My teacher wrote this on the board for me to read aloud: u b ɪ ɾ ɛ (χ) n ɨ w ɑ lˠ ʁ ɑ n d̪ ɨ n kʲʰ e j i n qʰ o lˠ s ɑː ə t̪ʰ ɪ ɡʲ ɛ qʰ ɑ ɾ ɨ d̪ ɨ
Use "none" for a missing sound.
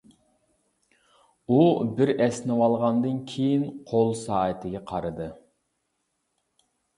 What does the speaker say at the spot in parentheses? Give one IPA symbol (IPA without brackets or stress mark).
s